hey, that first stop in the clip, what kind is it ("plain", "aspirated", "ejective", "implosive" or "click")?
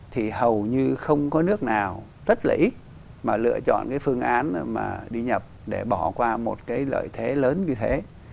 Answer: aspirated